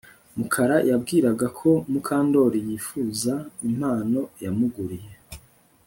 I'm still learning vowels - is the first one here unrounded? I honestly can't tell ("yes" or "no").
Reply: no